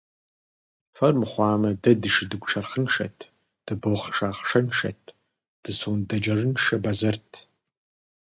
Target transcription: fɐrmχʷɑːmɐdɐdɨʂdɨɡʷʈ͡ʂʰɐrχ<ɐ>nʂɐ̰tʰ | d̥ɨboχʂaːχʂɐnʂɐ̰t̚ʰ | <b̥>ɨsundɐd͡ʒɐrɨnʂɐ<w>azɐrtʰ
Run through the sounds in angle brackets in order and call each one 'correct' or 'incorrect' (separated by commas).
incorrect, incorrect, incorrect